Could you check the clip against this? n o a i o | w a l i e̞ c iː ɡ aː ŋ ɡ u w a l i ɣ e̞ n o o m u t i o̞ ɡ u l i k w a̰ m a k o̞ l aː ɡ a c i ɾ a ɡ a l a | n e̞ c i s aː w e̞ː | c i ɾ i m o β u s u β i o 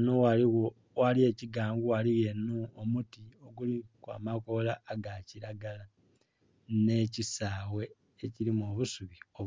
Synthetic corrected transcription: n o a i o | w a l i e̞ c i ɡ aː ŋ ɡ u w a l i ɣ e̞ n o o m u t i o̞ ɡ u l i k w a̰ m a k o̞ l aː ɡ a c i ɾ a ɡ a l a | n e̞ c i s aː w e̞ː | c i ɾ i m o β u s u β i o